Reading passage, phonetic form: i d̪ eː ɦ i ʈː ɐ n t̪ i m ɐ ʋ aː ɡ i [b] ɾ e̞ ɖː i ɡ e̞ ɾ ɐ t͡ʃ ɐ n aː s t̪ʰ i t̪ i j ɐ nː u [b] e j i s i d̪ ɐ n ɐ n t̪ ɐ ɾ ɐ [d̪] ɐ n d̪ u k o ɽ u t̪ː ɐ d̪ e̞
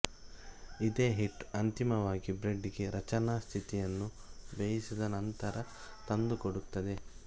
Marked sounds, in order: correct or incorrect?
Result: correct, correct, incorrect

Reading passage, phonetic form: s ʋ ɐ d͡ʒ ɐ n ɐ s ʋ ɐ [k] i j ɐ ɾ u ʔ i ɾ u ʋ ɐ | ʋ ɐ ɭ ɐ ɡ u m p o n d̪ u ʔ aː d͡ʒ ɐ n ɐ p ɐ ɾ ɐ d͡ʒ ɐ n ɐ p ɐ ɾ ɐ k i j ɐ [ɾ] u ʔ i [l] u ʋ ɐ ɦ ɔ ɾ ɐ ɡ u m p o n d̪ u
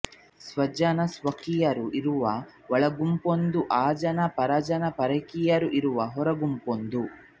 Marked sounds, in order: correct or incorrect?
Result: correct, correct, incorrect

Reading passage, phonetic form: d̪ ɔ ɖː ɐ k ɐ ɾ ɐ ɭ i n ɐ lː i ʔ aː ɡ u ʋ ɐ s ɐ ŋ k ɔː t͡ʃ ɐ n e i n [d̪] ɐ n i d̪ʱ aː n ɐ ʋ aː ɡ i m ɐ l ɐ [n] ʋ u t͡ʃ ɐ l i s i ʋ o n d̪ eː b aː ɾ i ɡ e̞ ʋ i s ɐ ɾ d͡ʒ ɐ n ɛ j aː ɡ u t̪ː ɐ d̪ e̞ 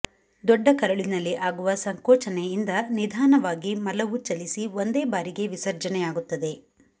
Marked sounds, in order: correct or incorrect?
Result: correct, incorrect

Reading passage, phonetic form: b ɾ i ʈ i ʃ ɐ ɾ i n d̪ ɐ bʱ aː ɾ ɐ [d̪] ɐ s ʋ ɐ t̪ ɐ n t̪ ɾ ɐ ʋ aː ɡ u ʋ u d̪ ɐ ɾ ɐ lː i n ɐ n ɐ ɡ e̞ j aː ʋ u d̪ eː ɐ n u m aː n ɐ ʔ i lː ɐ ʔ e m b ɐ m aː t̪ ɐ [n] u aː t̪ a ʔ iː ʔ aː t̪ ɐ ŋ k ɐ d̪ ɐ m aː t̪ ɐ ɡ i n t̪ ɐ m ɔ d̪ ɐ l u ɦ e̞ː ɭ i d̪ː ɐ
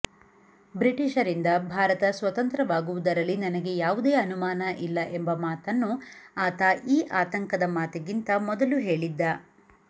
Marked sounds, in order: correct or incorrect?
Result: incorrect, incorrect

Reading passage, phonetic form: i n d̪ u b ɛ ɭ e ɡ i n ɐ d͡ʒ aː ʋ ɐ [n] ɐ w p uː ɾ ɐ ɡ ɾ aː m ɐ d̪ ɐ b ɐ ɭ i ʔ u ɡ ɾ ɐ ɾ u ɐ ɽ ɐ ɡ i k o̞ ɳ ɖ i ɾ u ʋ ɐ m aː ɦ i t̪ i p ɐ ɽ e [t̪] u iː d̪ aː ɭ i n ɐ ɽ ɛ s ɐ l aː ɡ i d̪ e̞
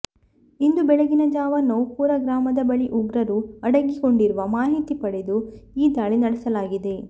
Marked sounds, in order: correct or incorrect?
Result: correct, incorrect

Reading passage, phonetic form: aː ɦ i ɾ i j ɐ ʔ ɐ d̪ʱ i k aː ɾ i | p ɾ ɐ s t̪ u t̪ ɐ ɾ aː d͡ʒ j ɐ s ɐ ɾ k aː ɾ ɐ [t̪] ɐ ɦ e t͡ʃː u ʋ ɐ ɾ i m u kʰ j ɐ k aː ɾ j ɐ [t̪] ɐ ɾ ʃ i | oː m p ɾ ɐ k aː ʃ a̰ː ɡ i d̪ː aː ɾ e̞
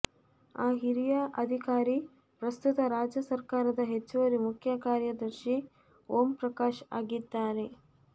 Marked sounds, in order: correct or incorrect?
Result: incorrect, incorrect

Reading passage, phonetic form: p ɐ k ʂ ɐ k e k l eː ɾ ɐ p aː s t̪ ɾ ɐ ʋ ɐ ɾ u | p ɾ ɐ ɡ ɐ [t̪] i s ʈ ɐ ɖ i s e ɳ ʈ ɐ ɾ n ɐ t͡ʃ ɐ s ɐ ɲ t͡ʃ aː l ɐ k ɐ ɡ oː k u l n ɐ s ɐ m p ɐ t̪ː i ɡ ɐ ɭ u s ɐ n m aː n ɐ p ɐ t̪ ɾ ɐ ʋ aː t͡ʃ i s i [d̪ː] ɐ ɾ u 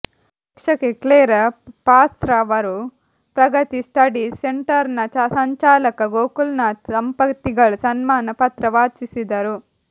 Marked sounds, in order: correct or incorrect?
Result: correct, incorrect

